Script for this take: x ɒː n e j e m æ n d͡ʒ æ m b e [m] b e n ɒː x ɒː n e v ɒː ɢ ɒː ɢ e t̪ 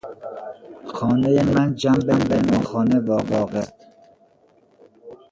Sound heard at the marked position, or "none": m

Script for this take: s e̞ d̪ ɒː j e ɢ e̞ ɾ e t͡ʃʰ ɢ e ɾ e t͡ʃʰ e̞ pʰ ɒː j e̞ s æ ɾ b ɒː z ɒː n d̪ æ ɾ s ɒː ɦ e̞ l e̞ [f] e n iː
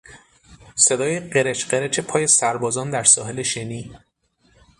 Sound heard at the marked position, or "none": ʃ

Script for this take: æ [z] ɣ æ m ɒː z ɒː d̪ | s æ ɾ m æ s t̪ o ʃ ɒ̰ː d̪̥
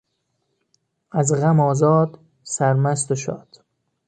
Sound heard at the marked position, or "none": z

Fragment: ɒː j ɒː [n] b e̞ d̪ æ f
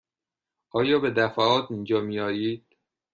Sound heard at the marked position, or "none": none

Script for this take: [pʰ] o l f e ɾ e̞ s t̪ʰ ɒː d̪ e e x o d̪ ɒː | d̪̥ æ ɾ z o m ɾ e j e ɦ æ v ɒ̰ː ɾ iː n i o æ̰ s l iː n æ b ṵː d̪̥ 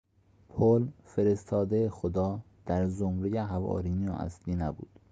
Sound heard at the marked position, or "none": pʰ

